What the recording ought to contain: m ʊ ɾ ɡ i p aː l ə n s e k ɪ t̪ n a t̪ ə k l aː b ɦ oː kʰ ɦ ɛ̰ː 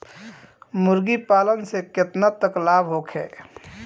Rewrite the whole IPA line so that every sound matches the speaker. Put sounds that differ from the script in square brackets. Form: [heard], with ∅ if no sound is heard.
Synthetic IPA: m ʊ ɾ ɡ i p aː l ə n s e k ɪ t̪ n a t̪ ə k l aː b ɦ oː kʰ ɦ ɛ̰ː